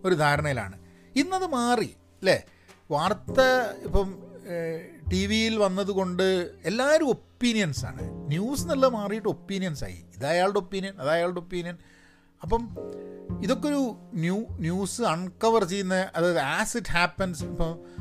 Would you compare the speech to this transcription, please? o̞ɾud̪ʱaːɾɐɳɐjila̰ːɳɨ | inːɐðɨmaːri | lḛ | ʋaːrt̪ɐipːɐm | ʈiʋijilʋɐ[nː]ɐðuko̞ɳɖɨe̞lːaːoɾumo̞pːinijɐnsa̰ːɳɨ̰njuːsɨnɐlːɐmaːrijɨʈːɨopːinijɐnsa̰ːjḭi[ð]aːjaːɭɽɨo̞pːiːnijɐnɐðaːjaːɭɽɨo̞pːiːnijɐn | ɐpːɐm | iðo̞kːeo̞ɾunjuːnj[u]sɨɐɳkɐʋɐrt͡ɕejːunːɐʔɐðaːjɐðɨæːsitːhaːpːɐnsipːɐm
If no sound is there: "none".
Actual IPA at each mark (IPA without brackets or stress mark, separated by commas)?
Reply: nː, ð, uː